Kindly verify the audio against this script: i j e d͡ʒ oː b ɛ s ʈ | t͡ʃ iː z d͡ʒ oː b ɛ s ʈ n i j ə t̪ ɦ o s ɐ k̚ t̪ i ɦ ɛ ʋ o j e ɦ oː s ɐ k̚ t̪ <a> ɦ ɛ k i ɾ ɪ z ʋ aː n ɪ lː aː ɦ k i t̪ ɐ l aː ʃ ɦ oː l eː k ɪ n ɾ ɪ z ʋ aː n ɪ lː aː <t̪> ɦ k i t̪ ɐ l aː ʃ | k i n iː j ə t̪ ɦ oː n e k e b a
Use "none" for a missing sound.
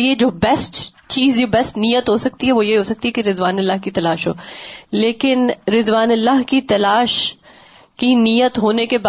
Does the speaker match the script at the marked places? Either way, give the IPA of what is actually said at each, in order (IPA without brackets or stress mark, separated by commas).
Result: i, none